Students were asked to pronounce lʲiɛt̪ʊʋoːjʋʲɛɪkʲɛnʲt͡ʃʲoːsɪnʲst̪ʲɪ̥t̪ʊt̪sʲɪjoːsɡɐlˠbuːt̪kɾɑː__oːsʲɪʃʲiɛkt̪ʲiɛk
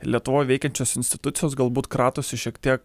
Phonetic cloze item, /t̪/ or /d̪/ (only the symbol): t̪